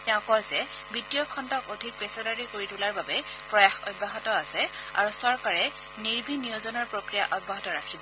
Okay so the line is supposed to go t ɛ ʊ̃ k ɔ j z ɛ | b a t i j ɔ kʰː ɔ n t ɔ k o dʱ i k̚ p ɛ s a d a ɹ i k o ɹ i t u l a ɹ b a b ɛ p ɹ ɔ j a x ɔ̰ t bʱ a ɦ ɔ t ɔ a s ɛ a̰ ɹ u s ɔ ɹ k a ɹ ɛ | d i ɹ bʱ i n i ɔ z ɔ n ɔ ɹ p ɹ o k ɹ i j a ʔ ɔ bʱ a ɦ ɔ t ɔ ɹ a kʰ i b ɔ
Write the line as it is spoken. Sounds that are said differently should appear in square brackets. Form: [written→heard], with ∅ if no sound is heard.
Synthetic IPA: t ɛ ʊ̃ k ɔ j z ɛ | b [a→i] t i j ɔ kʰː ɔ n t ɔ k o dʱ i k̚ p ɛ s a d a ɹ i k o ɹ i t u l a ɹ b a b ɛ p ɹ ɔ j a x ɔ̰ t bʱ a ɦ ɔ t ɔ a s ɛ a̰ ɹ u s ɔ ɹ k a ɹ ɛ | [d→n] i ɹ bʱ i n i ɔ z ɔ n ɔ ɹ p ɹ o k ɹ i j a ʔ ɔ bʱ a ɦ ɔ t ɔ ɹ a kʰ i b ɔ